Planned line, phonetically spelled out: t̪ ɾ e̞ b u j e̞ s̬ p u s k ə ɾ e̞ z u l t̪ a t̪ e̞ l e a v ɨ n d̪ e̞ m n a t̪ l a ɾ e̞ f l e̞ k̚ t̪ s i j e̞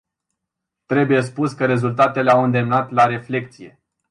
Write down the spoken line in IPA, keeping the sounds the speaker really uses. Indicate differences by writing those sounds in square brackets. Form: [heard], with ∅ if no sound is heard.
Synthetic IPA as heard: t̪ ɾ e̞ b u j e̞ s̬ p u s k ə ɾ e̞ z u l t̪ a t̪ e̞ l e a [w] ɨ n d̪ e̞ m n a t̪ l a ɾ e̞ f l e̞ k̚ t̪ s i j e̞